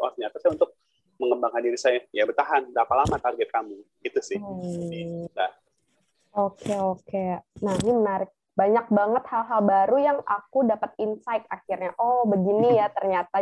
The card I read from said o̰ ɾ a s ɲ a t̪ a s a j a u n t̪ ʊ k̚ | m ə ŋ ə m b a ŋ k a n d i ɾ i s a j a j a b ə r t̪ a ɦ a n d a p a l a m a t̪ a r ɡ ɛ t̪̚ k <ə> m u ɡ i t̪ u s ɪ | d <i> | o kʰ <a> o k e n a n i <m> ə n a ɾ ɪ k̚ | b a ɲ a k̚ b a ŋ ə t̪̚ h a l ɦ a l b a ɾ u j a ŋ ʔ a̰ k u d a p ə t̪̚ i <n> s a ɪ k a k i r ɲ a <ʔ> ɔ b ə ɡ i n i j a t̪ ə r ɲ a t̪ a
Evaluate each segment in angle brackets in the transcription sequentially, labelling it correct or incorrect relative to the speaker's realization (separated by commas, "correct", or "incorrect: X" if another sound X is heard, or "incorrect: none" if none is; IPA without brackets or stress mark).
incorrect: a, incorrect: a, incorrect: e, correct, correct, correct